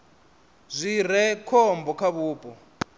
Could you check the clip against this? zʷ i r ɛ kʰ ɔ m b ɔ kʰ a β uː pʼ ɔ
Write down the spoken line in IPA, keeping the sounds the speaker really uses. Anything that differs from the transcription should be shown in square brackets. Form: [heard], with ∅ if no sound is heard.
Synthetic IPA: zʷ i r ɛ kʰ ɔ m b ɔ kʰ a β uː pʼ ɔ